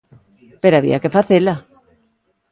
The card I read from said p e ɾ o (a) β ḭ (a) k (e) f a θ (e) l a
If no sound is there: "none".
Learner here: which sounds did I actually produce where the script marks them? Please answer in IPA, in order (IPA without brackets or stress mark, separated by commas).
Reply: a, a, e, e